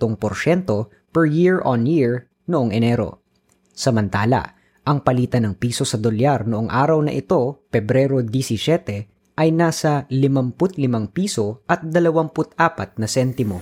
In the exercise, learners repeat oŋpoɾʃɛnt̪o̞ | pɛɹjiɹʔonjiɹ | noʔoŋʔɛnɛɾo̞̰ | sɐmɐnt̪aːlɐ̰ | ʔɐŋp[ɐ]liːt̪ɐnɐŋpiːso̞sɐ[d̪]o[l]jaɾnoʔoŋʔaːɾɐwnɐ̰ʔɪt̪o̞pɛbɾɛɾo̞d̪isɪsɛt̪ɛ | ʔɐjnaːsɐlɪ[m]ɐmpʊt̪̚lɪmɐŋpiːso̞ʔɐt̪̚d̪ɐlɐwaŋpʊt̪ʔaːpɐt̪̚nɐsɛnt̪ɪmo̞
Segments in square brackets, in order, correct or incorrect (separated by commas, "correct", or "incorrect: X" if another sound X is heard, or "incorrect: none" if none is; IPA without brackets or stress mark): correct, correct, correct, correct